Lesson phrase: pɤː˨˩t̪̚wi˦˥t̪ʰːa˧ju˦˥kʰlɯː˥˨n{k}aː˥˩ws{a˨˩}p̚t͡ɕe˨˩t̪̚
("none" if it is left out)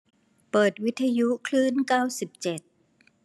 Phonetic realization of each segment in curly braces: k, i˨˩

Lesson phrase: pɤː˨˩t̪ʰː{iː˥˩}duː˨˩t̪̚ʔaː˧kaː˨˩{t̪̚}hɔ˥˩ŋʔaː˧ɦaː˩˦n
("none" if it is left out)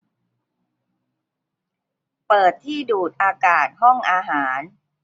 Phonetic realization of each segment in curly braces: iː˥˩, t̪̚

